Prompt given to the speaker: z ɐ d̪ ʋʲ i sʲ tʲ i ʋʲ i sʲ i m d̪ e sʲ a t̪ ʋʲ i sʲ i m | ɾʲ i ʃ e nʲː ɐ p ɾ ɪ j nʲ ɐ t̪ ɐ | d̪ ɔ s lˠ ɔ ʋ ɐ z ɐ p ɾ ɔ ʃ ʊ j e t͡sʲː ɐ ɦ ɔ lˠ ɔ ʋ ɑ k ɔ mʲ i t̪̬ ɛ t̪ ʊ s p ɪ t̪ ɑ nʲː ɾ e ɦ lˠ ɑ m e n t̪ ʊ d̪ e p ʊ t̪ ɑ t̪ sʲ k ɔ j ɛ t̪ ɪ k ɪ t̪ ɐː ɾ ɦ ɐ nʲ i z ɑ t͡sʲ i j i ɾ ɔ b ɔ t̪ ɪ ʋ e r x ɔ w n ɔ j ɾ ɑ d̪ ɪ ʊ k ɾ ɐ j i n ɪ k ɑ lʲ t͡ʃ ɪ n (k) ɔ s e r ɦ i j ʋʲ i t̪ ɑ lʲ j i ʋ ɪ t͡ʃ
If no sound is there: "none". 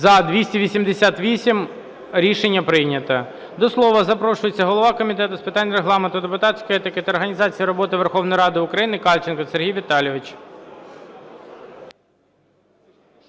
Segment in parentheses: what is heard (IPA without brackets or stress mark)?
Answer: k